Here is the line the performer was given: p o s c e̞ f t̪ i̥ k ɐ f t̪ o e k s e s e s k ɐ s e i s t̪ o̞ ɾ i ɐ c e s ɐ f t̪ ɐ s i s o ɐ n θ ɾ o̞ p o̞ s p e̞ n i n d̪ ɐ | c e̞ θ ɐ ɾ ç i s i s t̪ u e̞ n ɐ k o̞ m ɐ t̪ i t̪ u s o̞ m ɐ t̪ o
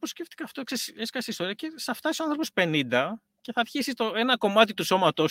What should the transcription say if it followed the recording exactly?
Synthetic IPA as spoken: p o s c e̞ f t̪ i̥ k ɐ f t̪ o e k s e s e s k ɐ s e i s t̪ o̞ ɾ i ɐ c e s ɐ f t̪ ɐ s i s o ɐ n θ ɾ o̞ p o̞ s p e̞ n i n d̪ ɐ | c e̞ θ ɐ ɾ ç i s i s t̪ o e̞ n ɐ k o̞ m ɐ t̪ i t̪ u s o̞ m ɐ t̪ o